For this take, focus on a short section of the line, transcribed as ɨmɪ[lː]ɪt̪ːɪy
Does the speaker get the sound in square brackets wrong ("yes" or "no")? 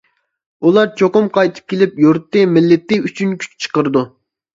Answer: no